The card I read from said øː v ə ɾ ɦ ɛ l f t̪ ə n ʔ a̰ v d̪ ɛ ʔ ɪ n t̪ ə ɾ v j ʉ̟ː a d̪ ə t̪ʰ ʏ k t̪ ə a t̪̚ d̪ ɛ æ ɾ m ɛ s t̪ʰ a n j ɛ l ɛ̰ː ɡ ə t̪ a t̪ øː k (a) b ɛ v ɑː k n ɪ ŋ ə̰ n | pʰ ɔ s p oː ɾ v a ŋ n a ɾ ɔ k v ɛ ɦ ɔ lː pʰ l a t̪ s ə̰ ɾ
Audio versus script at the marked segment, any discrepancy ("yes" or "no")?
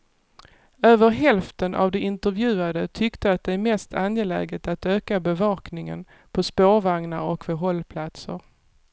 no